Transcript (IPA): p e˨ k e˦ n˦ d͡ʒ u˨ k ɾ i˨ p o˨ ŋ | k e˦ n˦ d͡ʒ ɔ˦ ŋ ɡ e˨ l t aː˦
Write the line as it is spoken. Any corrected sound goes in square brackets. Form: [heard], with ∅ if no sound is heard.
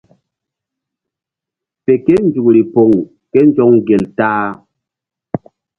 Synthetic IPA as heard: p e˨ k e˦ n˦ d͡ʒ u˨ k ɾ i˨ p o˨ ŋ | k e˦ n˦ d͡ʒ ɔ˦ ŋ ɡ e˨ l t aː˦